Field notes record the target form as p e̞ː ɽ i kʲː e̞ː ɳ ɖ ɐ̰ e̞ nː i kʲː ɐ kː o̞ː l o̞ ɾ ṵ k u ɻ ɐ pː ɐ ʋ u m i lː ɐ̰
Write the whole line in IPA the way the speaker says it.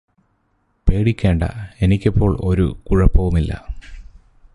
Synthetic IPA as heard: p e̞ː ɽ i kʲː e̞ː ɳ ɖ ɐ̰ e̞ n i kʲː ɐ pː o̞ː ɭ o̞ ɾ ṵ k u ɻ ɐ pː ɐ ʋ u m i lː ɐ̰